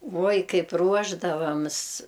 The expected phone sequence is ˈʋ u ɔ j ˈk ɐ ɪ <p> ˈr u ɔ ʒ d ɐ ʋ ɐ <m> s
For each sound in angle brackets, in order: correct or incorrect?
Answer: correct, correct

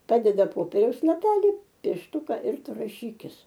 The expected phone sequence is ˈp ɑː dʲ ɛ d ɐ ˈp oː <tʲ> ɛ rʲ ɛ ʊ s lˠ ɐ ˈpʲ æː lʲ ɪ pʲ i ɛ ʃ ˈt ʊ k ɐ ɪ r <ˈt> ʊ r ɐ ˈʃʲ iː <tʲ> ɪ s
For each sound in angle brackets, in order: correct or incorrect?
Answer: incorrect, correct, incorrect

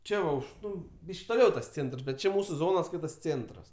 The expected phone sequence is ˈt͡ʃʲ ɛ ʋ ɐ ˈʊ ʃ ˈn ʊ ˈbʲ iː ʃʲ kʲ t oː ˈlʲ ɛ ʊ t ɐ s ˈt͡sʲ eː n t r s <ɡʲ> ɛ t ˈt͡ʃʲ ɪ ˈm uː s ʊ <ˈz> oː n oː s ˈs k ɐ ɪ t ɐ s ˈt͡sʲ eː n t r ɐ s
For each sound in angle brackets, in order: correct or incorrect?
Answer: incorrect, correct

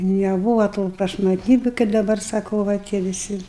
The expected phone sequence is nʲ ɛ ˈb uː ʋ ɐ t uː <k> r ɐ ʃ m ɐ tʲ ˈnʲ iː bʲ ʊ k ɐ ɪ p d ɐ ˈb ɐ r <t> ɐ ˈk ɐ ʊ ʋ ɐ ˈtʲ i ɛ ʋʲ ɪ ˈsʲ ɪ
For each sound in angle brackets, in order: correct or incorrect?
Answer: incorrect, incorrect

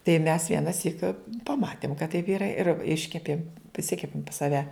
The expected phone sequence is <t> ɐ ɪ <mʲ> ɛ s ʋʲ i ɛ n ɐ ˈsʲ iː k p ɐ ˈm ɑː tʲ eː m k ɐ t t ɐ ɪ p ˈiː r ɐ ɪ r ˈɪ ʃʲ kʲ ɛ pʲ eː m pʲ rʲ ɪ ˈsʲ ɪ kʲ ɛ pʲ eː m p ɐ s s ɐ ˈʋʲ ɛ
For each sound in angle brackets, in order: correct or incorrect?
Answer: correct, correct

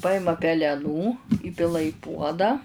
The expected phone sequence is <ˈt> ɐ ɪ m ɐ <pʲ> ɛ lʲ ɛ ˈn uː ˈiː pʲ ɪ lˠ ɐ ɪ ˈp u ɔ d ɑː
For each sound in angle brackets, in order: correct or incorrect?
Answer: incorrect, correct

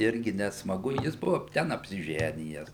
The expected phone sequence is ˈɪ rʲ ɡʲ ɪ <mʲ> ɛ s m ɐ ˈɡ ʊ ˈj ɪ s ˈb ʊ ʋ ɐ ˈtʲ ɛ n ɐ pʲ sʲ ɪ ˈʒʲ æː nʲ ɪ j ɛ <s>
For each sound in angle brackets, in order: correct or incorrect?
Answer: incorrect, correct

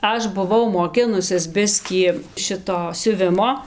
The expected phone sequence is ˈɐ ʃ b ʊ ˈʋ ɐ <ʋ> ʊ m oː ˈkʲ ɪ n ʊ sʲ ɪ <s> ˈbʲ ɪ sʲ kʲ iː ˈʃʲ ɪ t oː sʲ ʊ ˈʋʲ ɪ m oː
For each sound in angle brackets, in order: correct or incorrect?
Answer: incorrect, correct

